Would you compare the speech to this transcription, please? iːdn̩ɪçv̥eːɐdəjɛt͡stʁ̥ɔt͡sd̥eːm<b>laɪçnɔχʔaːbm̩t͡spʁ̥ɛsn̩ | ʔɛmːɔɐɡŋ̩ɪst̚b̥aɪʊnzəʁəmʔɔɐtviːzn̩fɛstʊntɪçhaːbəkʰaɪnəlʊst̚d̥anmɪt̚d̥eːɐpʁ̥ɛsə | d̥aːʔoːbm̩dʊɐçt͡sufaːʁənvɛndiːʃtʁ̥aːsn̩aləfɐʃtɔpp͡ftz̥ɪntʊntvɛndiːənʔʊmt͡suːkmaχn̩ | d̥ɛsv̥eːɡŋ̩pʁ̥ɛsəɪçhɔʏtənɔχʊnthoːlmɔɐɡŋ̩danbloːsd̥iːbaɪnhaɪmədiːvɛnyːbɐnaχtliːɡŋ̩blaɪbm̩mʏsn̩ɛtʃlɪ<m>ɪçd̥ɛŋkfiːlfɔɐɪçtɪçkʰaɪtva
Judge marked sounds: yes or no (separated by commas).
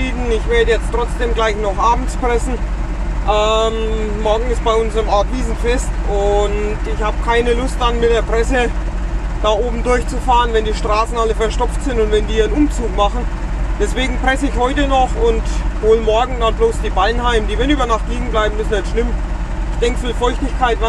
no, yes